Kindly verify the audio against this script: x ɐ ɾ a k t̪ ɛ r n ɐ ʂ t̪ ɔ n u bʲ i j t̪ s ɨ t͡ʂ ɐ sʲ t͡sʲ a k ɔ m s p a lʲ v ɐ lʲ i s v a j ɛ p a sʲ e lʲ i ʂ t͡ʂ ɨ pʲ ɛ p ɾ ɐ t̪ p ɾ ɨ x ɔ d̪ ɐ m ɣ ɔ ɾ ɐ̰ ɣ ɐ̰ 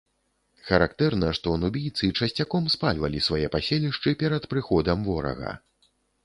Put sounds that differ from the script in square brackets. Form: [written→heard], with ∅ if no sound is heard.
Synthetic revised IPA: x ɐ ɾ a k t̪ ɛ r n ɐ ʂ t̪ ɔ n u bʲ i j t̪ s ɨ t͡ʂ ɐ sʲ t͡sʲ a k ɔ m s p a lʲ v ɐ lʲ i s v a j ɛ p a sʲ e lʲ i ʂ t͡ʂ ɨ pʲ ɛ [p→∅] ɾ ɐ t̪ p ɾ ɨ x ɔ d̪ ɐ m [ɣ→v] ɔ ɾ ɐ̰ ɣ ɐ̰